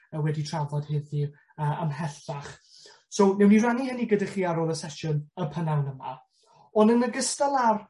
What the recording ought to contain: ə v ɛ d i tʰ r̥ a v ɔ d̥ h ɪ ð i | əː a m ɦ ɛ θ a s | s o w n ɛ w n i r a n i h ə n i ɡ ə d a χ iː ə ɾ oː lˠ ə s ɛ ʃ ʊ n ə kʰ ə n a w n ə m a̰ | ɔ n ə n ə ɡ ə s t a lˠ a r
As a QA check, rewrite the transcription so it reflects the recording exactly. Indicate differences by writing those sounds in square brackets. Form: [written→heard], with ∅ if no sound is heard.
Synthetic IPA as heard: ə [v→w] ɛ d i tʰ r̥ a v ɔ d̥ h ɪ ð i | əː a m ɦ ɛ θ a [s→χ] | s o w n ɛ w n i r a n i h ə n i ɡ ə d a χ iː [ə→a] ɾ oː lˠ ə s ɛ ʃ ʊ n ə [kʰ→pʰ] ə n a w n ə m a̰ | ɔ n ə n ə ɡ ə s t a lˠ a r